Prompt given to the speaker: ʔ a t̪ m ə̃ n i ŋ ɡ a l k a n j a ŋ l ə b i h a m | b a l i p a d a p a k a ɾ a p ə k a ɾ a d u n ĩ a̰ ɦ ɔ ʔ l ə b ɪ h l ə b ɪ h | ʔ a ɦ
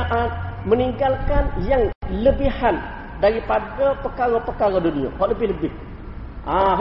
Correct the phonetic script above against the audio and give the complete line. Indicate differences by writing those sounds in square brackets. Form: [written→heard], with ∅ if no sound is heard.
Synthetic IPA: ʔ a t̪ m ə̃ n i ŋ ɡ a l k a n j a ŋ l ə b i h a [m→n] | [b→d] a [l→ɾ] i p a d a p [a→ə] k a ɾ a p ə k a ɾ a d u n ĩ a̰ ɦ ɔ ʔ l ə b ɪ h l ə b ɪ h | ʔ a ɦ